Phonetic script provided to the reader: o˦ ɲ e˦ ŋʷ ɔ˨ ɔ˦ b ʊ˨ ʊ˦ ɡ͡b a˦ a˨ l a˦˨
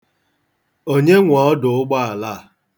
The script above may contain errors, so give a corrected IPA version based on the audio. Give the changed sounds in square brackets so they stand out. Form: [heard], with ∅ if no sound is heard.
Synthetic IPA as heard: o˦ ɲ e˦ ŋʷ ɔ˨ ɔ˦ [d] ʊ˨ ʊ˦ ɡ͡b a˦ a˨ l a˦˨